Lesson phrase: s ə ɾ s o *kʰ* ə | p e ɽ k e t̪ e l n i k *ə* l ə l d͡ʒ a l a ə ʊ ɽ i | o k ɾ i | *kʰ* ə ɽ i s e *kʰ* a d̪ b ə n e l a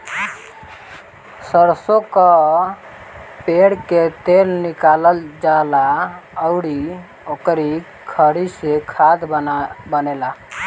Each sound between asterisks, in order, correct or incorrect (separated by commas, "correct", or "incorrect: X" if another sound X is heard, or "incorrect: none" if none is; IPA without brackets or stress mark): incorrect: k, incorrect: a, correct, correct